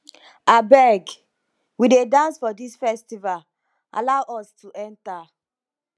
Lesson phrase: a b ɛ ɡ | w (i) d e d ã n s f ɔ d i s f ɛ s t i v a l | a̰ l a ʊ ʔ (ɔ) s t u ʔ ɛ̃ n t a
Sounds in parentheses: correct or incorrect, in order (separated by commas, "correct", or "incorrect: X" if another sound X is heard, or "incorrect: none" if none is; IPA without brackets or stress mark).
correct, correct